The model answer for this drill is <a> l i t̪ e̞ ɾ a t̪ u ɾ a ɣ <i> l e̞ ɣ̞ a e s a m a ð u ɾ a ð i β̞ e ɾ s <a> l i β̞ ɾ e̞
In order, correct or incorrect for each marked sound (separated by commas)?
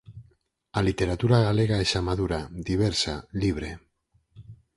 correct, incorrect, correct